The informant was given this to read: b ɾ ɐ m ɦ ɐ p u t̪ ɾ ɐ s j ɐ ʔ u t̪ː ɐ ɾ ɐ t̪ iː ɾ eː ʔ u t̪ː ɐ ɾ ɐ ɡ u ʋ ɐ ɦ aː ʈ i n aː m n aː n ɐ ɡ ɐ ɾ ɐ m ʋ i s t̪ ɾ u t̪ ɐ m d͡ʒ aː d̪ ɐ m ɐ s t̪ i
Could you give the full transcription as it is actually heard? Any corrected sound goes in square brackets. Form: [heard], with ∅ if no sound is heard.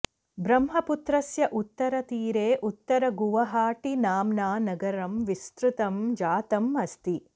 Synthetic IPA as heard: b ɾ ɐ m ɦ ɐ p u t̪ ɾ ɐ s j ɐ ʔ u t̪ː ɐ ɾ ɐ t̪ iː ɾ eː ʔ u t̪ː ɐ ɾ ɐ ɡ u ʋ ɐ ɦ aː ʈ i n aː m n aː n ɐ ɡ ɐ ɾ ɐ m ʋ i s t̪ ɾ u t̪ ɐ m d͡ʒ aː [t̪] ɐ m ɐ s t̪ i